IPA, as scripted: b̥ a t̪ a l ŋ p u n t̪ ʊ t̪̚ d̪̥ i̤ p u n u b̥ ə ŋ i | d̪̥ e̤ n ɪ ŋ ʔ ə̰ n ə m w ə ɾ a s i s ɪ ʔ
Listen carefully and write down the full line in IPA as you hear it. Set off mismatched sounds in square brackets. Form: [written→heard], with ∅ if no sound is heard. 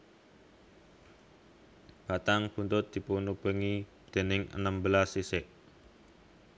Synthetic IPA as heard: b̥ a t̪ a [l→∅] ŋ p u n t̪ ʊ t̪̚ d̪̥ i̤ p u n u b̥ ə ŋ i | d̪̥ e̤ n ɪ ŋ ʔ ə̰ n ə m [w→b] ə [ɾ→l] a s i s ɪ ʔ